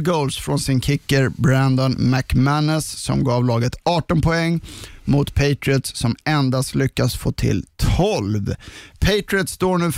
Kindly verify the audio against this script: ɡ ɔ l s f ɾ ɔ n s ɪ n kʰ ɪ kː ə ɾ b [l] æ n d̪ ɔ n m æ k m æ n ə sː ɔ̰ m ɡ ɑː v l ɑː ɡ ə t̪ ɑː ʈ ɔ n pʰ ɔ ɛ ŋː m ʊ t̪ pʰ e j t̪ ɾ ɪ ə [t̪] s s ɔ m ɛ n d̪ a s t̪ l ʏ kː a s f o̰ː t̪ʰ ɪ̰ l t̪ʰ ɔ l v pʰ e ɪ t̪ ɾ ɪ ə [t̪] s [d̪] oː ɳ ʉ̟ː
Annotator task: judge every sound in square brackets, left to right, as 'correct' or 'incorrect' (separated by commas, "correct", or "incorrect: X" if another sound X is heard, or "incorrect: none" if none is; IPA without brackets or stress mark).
incorrect: ɾ, correct, correct, incorrect: t̪